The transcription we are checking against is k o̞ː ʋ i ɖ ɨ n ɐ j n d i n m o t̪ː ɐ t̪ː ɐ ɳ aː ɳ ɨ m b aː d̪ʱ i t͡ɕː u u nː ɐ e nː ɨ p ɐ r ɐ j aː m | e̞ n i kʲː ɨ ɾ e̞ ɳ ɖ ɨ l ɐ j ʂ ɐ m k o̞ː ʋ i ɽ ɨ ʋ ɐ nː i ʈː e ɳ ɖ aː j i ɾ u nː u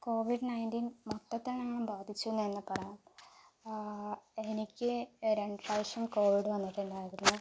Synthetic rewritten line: k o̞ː ʋ i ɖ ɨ n ɐ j n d i n m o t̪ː ɐ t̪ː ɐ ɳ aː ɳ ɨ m b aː d̪ʱ i t͡ɕː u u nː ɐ e nː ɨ p ɐ r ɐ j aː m | e̞ n i kʲː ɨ ɾ e̞ ɳ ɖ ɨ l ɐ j ʂ ɐ m k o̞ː ʋ i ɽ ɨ ʋ ɐ nː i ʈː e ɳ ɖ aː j i ɾ u nː u